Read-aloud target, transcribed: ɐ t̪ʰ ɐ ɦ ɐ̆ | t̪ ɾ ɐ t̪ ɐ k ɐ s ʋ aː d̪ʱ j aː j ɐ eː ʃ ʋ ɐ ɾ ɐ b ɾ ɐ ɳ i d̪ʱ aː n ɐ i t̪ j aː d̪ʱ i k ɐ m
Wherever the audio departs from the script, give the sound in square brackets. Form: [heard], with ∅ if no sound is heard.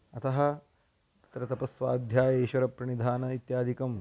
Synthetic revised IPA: ɐ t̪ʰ ɐ ɦ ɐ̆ | t̪ ɾ ɐ t̪ ɐ [p] ɐ s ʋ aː d̪ʱ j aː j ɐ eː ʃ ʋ ɐ ɾ ɐ [p] ɾ ɐ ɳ i d̪ʱ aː n ɐ i t̪ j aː d̪ʱ i k ɐ m